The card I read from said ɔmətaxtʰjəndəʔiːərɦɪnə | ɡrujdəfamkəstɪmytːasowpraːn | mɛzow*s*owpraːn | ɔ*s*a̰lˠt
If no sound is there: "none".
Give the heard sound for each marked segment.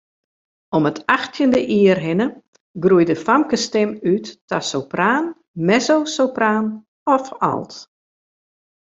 s, f

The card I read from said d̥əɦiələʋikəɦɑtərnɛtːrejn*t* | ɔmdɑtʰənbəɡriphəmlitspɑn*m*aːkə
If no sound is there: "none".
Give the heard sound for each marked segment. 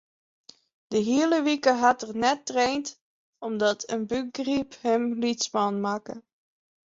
t, m

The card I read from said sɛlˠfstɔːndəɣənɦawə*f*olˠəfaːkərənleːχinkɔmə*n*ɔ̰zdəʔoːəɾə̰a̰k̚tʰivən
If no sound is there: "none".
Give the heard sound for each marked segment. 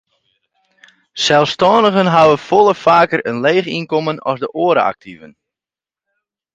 f, n

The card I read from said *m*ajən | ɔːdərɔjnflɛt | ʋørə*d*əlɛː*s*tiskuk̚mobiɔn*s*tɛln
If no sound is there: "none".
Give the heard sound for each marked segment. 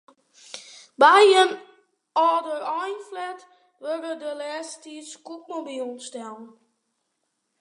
b, d, s, s

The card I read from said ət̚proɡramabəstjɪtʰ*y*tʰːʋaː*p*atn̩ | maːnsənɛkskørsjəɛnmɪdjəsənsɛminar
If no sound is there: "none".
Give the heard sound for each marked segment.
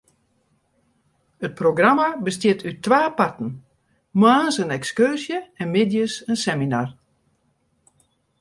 y, p

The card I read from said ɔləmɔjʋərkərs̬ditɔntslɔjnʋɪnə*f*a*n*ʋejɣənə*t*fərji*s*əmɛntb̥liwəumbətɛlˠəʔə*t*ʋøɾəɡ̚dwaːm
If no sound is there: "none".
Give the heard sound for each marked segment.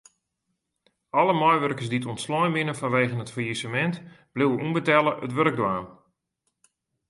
f, n, t, s, t

